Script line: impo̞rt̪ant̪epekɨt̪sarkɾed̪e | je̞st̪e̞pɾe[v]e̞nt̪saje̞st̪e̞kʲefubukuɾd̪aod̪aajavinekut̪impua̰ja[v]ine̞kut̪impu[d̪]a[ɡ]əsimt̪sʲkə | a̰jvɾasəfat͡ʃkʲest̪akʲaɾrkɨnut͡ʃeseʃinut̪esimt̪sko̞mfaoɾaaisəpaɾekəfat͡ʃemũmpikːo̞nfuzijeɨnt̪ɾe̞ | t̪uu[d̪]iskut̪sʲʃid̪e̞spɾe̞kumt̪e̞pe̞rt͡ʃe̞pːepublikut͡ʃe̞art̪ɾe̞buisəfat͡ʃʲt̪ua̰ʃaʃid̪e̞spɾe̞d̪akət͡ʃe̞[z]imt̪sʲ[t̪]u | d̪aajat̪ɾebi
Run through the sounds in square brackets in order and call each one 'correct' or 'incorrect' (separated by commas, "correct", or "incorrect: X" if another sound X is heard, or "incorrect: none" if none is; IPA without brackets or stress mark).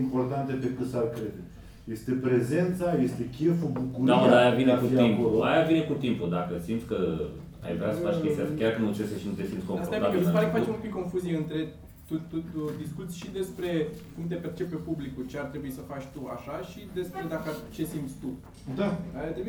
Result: incorrect: z, correct, correct, incorrect: k, correct, incorrect: s, correct